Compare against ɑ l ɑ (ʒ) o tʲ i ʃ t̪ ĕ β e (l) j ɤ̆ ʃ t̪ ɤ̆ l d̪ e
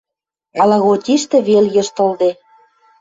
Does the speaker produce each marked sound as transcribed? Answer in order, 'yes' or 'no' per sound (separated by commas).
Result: no, yes